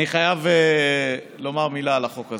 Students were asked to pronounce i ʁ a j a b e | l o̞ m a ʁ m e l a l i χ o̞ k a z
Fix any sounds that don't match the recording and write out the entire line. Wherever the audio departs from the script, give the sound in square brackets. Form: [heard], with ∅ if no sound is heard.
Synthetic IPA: i [χ] a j a [v] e | l o̞ m a ʁ m [i] l a l [a] χ o̞ k a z